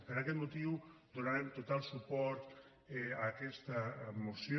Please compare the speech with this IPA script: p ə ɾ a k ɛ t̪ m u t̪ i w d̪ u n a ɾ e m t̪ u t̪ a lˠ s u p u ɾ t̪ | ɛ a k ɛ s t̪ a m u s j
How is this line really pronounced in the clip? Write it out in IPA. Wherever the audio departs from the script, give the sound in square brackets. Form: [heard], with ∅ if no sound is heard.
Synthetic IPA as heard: p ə ɾ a k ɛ t̪ m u t̪ i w d̪ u n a ɾ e m t̪ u t̪ a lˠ s u p [ɔ] ɾ t̪ | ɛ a k ɛ s t̪ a m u s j